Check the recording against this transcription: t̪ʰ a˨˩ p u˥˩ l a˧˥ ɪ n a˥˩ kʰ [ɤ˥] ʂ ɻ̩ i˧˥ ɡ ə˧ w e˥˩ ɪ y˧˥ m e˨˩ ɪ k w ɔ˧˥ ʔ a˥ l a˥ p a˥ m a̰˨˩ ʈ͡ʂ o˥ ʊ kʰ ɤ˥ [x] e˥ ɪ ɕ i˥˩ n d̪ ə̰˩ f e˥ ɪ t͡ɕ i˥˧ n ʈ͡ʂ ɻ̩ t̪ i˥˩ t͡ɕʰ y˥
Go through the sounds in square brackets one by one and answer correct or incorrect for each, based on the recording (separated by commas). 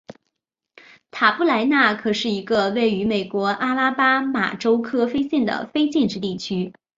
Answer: incorrect, incorrect